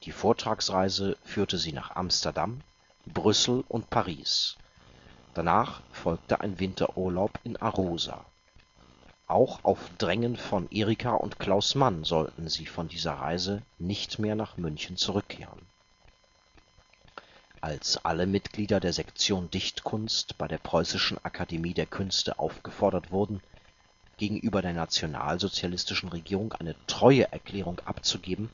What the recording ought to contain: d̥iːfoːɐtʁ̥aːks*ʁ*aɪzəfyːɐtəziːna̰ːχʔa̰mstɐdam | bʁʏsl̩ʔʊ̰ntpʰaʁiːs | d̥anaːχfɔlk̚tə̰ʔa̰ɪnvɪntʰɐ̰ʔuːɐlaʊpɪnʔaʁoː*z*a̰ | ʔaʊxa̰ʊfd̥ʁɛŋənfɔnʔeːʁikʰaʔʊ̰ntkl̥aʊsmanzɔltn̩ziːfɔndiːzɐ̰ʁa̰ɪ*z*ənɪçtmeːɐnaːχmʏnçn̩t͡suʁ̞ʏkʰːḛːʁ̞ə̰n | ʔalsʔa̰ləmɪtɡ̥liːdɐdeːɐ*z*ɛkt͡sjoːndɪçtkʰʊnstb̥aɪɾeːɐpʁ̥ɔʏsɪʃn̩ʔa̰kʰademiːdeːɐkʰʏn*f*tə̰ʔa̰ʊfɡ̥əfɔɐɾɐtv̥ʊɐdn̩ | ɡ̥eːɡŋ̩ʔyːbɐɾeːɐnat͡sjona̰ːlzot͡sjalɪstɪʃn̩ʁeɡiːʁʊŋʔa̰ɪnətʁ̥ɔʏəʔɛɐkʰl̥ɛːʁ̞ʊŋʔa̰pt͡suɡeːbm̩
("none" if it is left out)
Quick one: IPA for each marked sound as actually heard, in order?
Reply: ʁ, z, z, z, s

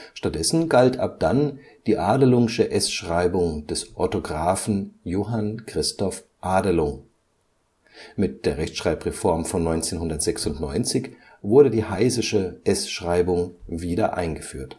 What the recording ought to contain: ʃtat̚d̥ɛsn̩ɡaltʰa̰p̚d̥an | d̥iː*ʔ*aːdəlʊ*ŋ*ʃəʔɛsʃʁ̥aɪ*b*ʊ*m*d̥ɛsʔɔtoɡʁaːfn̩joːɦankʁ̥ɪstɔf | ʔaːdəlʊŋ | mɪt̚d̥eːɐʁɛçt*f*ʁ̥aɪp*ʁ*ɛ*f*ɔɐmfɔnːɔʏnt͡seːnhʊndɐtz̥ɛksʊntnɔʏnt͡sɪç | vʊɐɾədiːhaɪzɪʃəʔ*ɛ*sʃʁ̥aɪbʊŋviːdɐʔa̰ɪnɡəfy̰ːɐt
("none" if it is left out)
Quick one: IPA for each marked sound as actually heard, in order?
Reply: ʔ, ŋ, b, ŋ, ʃ, ʁ, f, ɛ

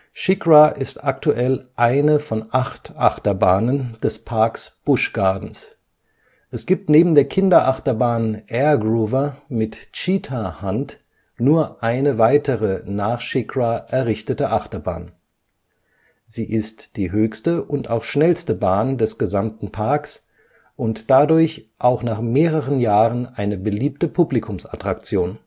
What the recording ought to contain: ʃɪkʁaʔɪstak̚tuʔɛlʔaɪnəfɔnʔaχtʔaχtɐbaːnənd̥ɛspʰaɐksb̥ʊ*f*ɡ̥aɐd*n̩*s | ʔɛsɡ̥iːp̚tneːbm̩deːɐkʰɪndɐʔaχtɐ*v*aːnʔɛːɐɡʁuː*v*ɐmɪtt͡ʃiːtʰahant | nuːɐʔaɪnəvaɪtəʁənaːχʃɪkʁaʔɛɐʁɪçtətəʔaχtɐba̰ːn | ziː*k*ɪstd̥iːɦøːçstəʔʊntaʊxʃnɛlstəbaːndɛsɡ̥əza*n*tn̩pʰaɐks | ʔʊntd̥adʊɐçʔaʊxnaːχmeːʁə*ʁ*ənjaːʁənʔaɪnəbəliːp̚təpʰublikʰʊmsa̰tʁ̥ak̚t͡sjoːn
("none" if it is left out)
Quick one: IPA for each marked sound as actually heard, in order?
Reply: ʃ, n̩, b, v, ʔ, m, ʁ

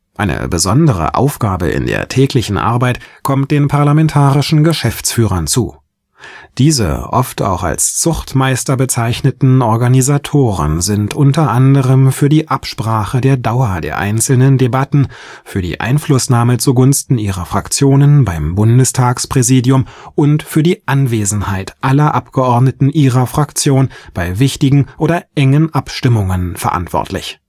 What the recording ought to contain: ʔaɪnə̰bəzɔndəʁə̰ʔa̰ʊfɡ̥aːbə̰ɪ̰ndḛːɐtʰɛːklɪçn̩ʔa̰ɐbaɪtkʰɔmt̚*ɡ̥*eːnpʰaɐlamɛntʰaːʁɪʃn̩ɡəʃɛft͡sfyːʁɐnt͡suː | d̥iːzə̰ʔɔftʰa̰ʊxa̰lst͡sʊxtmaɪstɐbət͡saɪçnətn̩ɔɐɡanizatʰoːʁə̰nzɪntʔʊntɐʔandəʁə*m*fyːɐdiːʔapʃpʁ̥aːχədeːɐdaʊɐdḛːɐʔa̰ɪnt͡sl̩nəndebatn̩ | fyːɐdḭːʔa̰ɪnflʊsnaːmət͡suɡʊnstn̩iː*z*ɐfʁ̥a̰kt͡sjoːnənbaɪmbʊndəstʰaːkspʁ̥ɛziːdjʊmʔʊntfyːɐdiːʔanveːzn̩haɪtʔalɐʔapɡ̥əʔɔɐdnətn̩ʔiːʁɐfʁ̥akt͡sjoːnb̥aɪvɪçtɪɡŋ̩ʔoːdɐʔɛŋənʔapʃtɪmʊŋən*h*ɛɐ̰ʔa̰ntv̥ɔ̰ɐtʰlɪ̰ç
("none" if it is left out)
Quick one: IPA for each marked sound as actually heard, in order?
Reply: d̥, m, ʁ, f

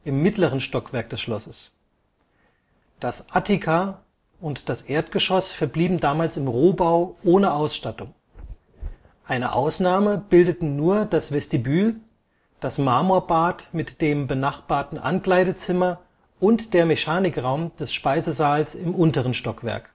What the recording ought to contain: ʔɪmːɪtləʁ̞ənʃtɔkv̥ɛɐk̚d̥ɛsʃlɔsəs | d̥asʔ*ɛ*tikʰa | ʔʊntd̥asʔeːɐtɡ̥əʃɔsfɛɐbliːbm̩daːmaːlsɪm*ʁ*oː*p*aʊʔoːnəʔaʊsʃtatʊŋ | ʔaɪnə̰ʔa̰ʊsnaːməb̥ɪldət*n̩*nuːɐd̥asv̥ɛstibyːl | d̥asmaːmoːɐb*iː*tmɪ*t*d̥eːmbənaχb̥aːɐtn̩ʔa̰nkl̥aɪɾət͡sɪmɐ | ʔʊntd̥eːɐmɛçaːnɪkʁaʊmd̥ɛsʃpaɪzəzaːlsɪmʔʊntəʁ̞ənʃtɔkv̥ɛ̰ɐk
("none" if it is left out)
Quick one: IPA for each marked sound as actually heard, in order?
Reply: a, ʁ, b, n̩, aː, t

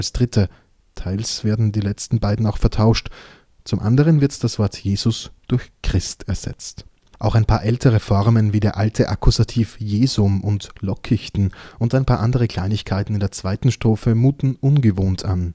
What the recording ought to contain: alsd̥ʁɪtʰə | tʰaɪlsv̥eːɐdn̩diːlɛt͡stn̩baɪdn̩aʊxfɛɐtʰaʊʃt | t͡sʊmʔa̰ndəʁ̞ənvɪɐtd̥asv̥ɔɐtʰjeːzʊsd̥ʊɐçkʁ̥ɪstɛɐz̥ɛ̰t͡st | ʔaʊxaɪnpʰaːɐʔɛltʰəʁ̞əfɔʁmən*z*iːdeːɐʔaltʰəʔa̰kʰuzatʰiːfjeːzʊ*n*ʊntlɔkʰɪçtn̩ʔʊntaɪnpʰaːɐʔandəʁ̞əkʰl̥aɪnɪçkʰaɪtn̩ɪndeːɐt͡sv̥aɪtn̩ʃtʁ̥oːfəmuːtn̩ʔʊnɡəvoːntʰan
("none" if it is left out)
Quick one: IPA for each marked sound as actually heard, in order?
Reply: v, m

